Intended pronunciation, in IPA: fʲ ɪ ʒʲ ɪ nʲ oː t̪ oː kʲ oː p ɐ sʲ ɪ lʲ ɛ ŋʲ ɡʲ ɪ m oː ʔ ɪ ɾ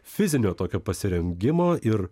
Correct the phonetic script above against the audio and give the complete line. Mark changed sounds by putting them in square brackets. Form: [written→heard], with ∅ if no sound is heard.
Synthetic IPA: fʲ ɪ [ʒʲ→zʲ] ɪ nʲ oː t̪ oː kʲ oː p ɐ sʲ ɪ [lʲ→ɾʲ] ɛ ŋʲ ɡʲ ɪ m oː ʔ ɪ ɾ